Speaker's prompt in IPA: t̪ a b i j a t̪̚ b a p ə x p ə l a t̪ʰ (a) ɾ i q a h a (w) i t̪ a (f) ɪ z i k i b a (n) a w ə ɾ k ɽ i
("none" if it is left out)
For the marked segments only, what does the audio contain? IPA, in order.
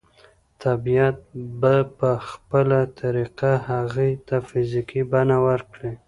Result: a, ɣ, f, n

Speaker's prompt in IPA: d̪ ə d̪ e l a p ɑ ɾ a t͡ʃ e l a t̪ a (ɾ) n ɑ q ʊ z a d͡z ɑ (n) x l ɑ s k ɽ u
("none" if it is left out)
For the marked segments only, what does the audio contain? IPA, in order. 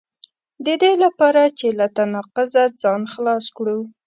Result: none, n

